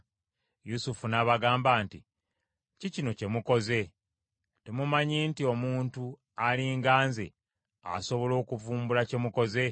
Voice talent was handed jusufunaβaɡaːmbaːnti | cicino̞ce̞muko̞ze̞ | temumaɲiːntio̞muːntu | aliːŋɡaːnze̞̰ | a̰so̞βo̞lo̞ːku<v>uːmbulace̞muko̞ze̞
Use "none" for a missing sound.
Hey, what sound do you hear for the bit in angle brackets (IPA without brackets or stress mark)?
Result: v